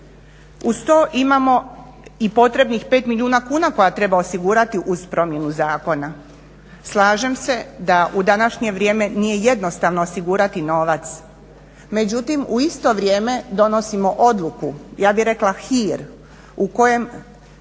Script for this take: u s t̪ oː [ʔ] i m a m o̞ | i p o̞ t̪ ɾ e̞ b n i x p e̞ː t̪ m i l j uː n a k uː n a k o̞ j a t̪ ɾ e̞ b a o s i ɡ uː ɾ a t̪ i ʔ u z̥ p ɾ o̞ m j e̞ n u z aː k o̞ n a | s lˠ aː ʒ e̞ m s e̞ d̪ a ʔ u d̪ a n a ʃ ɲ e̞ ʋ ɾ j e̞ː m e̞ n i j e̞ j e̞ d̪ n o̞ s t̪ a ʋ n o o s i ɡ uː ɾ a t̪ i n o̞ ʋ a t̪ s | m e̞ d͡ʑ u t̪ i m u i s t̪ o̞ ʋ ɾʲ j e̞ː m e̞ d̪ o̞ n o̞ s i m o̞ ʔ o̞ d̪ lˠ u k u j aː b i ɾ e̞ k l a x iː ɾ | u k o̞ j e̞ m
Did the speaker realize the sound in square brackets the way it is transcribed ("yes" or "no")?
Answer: yes